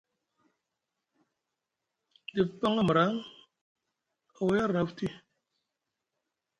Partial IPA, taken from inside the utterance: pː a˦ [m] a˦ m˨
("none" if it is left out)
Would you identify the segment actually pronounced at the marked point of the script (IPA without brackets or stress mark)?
ŋ